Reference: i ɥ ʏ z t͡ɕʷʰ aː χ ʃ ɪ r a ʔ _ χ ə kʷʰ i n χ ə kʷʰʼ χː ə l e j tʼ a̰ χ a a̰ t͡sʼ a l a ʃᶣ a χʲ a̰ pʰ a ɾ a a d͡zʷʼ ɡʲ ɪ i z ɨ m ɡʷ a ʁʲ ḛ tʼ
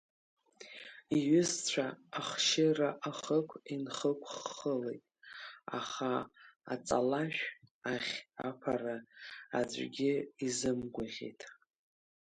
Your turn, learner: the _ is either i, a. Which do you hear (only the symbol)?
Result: a